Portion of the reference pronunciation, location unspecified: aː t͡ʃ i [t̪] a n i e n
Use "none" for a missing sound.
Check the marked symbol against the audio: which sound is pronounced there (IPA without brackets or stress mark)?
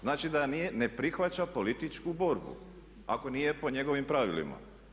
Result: d̪